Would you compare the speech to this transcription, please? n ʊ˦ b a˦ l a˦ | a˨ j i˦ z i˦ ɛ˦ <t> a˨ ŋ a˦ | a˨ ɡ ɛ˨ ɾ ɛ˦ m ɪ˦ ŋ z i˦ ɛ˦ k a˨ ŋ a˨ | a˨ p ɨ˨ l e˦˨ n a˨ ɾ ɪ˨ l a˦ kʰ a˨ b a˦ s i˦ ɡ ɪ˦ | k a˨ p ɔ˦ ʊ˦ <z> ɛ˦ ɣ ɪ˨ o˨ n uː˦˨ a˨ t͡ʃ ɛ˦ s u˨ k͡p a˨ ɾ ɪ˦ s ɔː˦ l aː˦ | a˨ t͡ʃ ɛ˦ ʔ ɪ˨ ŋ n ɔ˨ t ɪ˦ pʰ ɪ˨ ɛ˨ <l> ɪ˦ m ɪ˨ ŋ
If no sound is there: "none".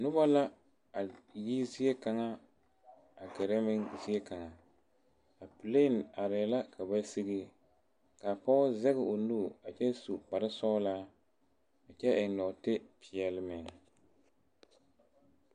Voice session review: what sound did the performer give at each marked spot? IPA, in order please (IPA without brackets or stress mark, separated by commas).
k, z, l